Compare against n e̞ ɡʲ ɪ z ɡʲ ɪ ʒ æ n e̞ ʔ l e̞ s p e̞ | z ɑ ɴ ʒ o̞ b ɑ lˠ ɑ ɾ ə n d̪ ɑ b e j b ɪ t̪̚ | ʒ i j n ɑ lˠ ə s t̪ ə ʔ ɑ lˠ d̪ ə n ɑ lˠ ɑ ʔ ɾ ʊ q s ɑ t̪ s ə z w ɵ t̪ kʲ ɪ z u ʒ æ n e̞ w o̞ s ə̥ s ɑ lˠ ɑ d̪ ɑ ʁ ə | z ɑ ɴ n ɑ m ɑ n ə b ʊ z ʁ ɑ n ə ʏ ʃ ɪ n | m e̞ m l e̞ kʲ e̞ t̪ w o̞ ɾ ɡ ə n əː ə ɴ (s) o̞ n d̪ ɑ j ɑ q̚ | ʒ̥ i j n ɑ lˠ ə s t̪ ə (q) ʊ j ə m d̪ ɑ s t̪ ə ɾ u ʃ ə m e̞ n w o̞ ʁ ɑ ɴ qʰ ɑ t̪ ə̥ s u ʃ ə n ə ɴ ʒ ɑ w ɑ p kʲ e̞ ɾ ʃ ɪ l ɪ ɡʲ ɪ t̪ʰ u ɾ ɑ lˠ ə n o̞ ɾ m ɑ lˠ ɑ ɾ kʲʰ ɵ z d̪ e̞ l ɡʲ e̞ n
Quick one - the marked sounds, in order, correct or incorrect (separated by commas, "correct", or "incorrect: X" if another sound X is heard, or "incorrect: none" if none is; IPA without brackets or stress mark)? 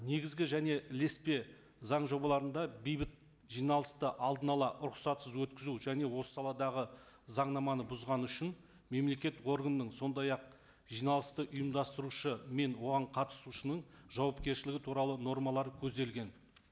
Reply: correct, incorrect: ʔ